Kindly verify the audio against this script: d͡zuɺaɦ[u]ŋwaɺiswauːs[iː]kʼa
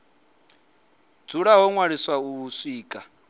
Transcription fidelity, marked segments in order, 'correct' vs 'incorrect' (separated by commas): incorrect, correct